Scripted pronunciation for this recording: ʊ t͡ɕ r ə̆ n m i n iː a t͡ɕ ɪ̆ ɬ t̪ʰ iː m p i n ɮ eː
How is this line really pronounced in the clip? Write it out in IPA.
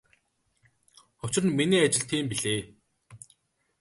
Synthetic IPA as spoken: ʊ t͡ɕ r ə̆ n m i n iː a t͡ɕ ɪ̆ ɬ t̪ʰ iː m p i ɮ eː